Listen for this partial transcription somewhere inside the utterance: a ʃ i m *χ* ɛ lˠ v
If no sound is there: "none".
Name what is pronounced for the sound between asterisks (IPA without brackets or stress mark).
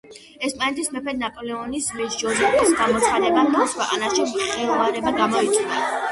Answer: χ